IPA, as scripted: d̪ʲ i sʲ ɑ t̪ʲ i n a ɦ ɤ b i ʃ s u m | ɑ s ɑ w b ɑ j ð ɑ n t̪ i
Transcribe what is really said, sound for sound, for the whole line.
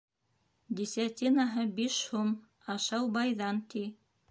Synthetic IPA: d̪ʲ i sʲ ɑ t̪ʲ i n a ɦ ɤ b i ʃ h u m | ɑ ʃ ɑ w b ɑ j ð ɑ n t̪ i